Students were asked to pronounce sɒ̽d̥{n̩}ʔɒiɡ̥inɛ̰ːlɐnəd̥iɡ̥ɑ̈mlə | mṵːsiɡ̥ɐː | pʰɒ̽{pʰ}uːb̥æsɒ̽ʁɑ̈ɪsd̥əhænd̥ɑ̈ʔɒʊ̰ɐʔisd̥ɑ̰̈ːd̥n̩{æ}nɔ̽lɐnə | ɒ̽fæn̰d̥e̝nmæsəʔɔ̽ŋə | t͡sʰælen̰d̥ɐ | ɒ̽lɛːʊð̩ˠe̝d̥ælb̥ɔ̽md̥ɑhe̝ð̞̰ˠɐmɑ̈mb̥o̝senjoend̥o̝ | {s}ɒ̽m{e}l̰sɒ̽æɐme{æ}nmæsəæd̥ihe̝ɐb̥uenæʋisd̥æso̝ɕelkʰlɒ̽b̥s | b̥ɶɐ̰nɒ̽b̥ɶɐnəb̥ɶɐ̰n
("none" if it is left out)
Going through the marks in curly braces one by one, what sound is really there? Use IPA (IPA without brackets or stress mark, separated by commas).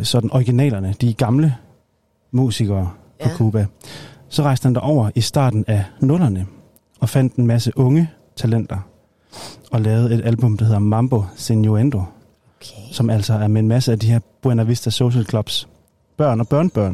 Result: n̩, kʰ, æ, s, æ, e